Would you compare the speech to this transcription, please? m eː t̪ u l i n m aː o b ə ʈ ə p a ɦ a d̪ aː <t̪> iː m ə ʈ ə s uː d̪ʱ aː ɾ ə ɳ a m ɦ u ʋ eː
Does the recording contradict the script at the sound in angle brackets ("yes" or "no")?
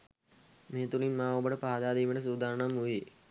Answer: yes